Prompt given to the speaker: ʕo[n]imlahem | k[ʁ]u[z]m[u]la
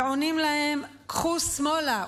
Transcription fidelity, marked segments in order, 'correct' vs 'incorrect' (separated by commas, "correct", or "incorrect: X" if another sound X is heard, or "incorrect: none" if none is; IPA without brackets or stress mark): correct, incorrect: χ, incorrect: s, incorrect: o